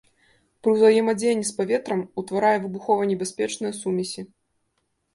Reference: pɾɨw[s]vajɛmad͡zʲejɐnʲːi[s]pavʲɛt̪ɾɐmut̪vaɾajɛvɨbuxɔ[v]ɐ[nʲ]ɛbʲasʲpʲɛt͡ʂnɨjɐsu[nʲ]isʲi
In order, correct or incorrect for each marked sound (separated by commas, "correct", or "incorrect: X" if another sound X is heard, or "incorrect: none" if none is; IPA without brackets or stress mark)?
incorrect: z, correct, correct, correct, incorrect: mʲ